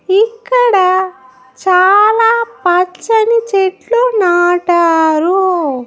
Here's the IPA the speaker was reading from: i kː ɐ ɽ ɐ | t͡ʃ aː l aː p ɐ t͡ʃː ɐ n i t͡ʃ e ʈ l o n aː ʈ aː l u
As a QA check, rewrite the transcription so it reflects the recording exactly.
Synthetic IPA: i kː ɐ ɽ ɐ | t͡ʃ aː l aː p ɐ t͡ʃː ɐ n i t͡ʃ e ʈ l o n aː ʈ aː ɾ u